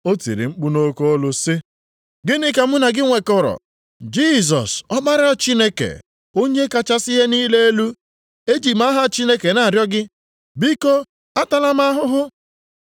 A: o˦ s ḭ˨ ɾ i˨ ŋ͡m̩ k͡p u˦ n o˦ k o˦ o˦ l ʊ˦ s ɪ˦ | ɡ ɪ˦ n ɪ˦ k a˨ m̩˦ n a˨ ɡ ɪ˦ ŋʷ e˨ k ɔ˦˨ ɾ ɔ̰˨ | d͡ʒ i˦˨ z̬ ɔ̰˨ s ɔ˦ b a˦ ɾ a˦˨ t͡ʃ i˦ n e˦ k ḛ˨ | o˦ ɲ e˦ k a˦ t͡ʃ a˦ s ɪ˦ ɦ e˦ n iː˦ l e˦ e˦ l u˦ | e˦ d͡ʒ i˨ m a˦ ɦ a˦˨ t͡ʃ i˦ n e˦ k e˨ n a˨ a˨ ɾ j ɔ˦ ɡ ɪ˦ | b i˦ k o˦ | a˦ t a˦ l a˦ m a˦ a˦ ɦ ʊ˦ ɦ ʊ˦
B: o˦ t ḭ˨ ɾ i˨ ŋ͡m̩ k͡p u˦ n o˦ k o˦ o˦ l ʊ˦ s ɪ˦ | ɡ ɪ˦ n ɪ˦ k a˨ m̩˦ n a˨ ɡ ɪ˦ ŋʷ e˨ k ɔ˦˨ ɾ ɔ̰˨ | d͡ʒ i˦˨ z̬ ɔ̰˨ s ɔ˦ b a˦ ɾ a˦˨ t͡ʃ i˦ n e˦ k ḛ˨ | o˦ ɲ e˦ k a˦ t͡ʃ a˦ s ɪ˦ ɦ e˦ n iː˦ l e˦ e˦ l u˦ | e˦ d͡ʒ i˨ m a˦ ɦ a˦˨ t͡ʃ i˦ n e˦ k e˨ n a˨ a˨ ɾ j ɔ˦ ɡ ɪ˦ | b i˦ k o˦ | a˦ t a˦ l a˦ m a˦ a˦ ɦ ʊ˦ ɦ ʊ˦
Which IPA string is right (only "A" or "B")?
B